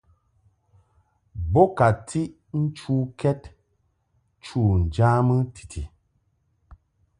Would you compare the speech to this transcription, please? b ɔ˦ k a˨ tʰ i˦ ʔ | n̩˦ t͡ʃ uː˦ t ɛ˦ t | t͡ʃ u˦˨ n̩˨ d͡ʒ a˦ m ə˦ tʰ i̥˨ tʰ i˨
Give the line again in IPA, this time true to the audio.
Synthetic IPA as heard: b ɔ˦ k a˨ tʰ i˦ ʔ | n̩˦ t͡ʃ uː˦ k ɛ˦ t | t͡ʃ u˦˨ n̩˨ d͡ʒ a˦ m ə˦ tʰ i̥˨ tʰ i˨